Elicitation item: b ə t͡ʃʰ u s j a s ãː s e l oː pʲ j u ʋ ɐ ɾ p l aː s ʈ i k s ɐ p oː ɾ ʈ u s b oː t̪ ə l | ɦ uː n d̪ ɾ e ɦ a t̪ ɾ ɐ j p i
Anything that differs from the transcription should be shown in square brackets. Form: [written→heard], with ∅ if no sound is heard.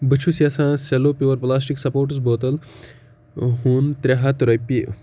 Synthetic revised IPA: b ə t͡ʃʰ u s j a s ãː s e l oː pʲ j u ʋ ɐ ɾ p l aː s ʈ i k s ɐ p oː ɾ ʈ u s b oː t̪ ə l | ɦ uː n [d̪→t̪] ɾ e ɦ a t̪ ɾ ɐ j p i